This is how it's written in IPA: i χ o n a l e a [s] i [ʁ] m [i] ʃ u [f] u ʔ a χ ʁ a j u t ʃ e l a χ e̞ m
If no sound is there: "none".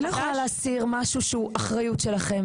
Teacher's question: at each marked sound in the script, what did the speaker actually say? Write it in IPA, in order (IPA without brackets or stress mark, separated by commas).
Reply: s, ʁ, a, ʃ